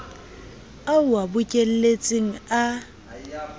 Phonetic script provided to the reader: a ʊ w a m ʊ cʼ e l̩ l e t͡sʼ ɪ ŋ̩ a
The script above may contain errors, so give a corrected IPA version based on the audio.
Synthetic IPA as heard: a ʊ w a b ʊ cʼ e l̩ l e t͡sʼ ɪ ŋ̩ a